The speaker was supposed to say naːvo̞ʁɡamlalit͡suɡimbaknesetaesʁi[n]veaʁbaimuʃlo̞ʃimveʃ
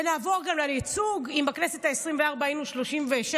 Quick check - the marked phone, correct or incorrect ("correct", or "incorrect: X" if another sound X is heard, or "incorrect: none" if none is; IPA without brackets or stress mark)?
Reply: incorrect: m